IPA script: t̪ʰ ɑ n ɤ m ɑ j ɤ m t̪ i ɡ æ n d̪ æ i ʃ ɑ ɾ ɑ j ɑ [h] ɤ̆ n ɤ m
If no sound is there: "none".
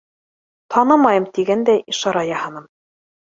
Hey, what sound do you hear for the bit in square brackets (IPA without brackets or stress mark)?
h